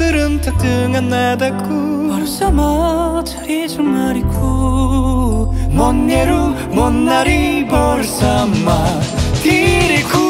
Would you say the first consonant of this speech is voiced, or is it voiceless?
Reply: voiced